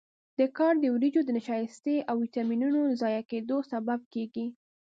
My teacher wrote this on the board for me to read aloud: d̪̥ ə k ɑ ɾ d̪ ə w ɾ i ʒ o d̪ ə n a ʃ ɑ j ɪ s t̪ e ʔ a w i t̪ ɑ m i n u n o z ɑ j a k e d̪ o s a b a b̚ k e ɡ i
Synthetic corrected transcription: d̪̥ ə k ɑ ɾ d̪ ə w ɾ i d͡ʒ o d̪ ə n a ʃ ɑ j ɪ s t̪ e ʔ a w i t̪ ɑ m i n u n o z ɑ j a k e d̪ o s a b a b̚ k e ɡ i